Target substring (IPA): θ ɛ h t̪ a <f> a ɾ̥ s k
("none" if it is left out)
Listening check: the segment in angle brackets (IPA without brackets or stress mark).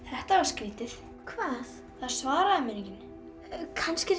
v